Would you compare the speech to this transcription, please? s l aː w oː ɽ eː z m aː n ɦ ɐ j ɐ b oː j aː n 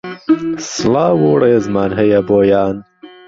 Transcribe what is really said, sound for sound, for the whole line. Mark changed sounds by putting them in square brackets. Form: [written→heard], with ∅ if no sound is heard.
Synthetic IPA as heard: s l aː w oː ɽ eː z m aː n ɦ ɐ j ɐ b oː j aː n